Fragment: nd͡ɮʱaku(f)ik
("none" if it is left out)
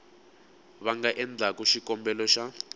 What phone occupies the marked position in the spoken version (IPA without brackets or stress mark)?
ʃ